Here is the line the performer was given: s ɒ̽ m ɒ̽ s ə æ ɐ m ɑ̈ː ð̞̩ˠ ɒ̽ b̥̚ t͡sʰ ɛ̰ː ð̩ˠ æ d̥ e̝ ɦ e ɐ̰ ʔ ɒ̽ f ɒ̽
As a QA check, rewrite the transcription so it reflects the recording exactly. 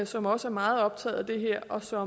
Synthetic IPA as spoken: s ɒ̽ m ɒ̽ s ə æ ɐ m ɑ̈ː ð̞̩ˠ ɒ̽ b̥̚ t͡sʰ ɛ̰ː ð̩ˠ æ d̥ e̝ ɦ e ɐ̰ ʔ ɒ̽ s ɒ̽